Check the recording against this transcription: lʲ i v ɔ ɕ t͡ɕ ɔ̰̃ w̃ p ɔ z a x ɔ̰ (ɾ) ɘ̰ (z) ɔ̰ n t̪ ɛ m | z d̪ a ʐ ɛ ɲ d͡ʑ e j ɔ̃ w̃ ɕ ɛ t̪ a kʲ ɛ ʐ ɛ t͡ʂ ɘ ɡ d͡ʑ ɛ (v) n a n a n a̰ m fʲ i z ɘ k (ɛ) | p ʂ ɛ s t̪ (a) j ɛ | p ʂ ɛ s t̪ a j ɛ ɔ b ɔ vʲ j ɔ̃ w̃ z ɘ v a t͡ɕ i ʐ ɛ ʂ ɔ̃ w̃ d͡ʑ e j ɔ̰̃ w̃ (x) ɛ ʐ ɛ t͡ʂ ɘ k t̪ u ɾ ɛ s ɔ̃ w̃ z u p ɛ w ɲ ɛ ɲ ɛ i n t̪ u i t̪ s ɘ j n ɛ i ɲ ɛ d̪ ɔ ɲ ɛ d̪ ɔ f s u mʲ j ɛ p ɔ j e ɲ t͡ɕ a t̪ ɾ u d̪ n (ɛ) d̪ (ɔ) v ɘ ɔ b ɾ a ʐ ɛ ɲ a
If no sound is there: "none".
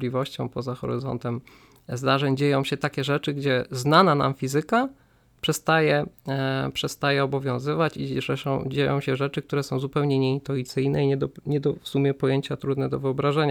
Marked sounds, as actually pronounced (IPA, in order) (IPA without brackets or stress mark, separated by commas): ɾ, z, z, a, a, ɕ, ɛ, ɔ